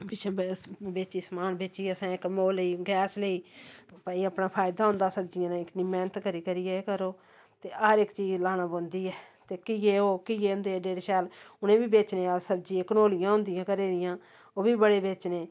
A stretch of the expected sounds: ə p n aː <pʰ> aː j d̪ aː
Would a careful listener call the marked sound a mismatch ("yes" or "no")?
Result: no